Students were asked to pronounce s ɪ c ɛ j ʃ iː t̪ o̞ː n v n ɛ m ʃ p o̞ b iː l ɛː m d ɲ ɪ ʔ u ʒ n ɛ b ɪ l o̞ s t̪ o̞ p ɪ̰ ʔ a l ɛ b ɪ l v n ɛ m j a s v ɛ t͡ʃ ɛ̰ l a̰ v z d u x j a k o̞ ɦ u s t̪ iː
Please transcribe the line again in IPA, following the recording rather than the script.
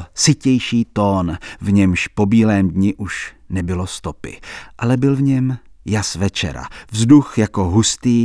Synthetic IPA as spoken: s ɪ c ɛ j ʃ iː t̪ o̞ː n v ɲ ɛ m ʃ p o̞ b iː l ɛː m d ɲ ɪ ʔ u ʃ n ɛ b ɪ l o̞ s t̪ o̞ p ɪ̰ ʔ a l ɛ b ɪ l v ɲ ɛ m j a s v ɛ t͡ʃ ɛ̰ ɾ a̰ v z d u x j a k o̞ ɦ u s t̪ iː